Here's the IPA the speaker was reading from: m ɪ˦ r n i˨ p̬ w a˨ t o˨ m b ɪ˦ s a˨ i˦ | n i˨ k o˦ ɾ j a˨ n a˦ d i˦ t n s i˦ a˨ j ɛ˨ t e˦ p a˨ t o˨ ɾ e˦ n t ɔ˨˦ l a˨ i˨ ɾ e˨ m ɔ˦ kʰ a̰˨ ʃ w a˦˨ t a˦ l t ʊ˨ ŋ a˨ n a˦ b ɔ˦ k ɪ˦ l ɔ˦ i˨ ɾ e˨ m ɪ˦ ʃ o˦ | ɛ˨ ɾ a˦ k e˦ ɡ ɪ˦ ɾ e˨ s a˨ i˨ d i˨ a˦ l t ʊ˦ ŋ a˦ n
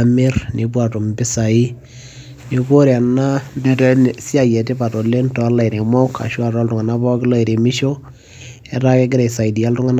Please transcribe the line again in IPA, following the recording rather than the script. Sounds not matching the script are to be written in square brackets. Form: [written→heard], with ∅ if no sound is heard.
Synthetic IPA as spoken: m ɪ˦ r n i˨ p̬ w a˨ t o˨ m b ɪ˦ s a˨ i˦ | n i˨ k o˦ ɾ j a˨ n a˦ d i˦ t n s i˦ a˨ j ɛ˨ t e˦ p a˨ t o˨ [ɾ→l] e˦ n t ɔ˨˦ l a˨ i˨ ɾ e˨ m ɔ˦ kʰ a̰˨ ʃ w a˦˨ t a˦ l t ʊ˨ ŋ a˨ n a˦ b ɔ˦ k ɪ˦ l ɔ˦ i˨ ɾ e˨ m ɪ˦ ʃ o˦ | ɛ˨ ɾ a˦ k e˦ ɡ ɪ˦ ɾ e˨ s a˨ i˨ d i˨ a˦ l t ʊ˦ ŋ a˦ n